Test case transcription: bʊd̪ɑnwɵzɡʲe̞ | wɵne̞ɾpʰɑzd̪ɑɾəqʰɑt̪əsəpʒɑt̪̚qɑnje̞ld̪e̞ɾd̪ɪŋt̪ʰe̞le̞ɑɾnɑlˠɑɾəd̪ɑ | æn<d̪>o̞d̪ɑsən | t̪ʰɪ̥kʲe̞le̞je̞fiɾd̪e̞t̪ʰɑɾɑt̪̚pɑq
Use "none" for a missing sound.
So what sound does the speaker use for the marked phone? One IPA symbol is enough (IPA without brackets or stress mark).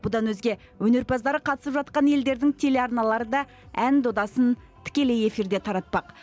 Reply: d̪